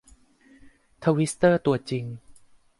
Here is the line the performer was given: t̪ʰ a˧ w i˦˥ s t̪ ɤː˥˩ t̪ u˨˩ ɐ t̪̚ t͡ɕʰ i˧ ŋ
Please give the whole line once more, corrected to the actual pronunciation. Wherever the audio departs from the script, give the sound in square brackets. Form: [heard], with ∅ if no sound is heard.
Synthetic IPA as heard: t̪ʰ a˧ w i˦˥ s t̪ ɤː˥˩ t̪ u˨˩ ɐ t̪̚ [t͡ɕ] i˧ ŋ